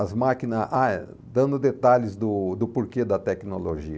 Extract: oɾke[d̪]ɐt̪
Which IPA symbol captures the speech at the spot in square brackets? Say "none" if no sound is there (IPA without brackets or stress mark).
d̪